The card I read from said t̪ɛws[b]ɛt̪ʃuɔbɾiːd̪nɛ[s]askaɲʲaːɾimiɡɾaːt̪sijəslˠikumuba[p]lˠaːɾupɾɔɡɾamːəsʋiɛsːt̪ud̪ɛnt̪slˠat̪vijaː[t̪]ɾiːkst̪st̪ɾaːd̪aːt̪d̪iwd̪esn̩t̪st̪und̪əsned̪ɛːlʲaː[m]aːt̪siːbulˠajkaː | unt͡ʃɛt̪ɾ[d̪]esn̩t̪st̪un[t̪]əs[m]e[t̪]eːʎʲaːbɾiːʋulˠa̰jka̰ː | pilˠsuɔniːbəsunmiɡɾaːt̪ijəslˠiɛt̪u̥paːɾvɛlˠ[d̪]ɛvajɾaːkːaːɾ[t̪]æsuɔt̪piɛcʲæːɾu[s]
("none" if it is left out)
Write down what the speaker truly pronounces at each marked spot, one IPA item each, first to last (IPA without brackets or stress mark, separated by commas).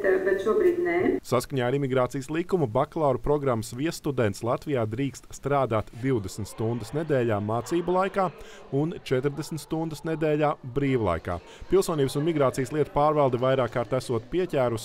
b, s, k, d̪, m, d̪, d̪, n, d̪, d̪, t̪, s